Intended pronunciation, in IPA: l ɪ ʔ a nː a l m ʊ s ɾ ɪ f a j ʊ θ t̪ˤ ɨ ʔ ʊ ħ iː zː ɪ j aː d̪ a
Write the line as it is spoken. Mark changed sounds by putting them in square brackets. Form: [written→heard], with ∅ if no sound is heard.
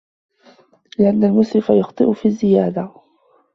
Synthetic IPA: l ɪ ʔ a nː a l m ʊ s ɾ ɪ f a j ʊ [θ→x] t̪ˤ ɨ ʔ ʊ [ħ→f] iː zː ɪ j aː d̪ a

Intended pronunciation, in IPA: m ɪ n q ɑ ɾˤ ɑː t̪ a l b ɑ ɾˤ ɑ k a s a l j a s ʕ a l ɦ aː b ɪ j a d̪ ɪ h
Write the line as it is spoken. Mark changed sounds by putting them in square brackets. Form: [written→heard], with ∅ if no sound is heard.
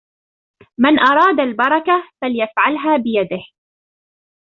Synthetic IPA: m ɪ n [q→ʔ] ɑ ɾˤ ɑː [t̪→d̪] a l b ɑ ɾˤ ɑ k a [s→f] a l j a [s→f] ʕ a l ɦ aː b ɪ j a d̪ ɪ h

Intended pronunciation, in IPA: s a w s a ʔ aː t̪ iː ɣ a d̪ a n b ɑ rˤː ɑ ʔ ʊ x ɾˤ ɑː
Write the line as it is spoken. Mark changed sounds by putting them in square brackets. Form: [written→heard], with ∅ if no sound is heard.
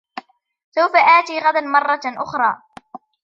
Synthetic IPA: s a w [s→f] a ʔ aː t̪ iː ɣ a d̪ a n [b→m] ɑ rˤː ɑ ʔ ʊ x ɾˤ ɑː

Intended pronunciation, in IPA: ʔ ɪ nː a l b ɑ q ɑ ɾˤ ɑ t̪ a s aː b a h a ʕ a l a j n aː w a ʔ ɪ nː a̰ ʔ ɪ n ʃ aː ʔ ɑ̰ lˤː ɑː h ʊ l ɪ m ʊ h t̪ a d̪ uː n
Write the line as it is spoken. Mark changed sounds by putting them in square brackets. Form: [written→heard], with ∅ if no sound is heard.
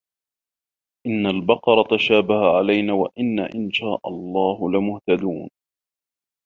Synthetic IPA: ʔ ɪ nː a l b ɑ q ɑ ɾˤ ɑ t̪ a [s→ʃ] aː b a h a ʕ a l a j n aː w a ʔ ɪ nː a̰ ʔ ɪ n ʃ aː ʔ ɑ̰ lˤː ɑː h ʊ l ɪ m ʊ h t̪ a d̪ uː n

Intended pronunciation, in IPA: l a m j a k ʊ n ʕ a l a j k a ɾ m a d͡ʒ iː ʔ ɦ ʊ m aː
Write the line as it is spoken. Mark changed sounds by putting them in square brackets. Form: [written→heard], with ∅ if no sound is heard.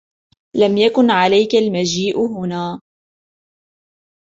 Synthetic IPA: l a m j a k ʊ n ʕ a l a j k a [ɾ→l] m a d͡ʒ iː ʔ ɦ ʊ [m→n] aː

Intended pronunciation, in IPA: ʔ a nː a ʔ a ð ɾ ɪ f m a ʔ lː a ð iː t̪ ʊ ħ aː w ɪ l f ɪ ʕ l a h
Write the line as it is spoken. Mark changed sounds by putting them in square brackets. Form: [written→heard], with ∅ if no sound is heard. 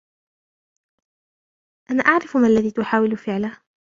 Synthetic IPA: ʔ a [nː→n] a ʔ a [ð→ʕ] ɾ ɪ f m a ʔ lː a ð iː t̪ ʊ ħ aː w ɪ l f ɪ ʕ l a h

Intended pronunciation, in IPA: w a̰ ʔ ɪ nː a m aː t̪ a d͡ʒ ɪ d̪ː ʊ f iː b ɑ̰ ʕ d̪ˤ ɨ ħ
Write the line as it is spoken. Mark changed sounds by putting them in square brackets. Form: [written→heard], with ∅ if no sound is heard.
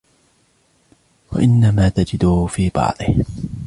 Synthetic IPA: w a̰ ʔ ɪ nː a m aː t̪ a d͡ʒ ɪ [d̪ː→d̪] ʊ f iː b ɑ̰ ʕ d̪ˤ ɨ [ħ→h]

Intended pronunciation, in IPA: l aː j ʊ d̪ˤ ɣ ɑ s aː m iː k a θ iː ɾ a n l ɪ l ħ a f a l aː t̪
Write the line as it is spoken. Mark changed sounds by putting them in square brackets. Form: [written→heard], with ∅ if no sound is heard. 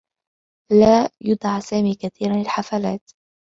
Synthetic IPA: l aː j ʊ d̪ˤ [ɣ→ʕ] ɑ s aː m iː k a θ iː ɾ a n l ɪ l ħ a f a l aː t̪

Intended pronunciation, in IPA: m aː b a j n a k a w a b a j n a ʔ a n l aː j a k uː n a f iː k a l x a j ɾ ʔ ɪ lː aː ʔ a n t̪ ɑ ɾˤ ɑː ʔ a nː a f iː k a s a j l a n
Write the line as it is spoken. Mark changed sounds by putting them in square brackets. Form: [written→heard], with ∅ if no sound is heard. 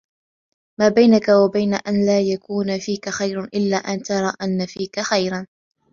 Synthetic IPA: m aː b a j n a k a w a b a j n a ʔ a n l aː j a k uː n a f iː k a [l→∅] x a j ɾ ʔ ɪ lː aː ʔ a n t̪ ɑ ɾˤ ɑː ʔ a nː a f iː k a [s→x] a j [l→ɾ] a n

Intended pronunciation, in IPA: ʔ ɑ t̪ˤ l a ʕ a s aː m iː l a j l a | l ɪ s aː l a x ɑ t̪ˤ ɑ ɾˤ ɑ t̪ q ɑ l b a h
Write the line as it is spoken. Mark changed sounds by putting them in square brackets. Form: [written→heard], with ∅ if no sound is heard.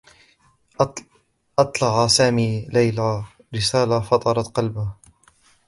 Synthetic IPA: ʔ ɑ t̪ˤ l [a→ɑ] ʕ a s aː m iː l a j l a | [l→ɾ] ɪ s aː l a [x→f] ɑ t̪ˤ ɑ ɾˤ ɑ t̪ q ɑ l b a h

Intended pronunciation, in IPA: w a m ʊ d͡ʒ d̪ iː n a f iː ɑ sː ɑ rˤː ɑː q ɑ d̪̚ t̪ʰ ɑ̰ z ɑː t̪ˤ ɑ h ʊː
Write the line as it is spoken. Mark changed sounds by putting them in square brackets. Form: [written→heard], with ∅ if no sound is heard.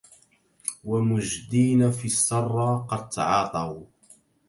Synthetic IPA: w a m ʊ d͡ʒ d̪ iː n a f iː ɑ sː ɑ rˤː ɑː q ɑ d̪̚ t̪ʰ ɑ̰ [z→ʕ] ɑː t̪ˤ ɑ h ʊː

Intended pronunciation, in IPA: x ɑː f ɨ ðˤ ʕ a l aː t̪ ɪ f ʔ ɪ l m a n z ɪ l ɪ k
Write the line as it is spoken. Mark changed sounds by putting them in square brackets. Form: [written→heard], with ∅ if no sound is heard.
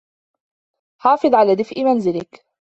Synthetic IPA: [x→ħ] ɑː f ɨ ðˤ ʕ a l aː [t̪→d̪] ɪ f ʔ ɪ [l→∅] m a n z ɪ l ɪ k

